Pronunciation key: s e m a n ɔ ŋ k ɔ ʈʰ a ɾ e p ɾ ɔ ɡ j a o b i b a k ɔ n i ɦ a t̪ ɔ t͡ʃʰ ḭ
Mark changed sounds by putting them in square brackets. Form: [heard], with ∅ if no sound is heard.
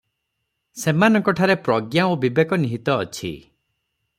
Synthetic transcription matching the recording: s e m a n ɔ ŋ k ɔ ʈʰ a ɾ e p ɾ ɔ ɡ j a o b i b [e] k ɔ n i ɦ [i] t̪ [ɔː] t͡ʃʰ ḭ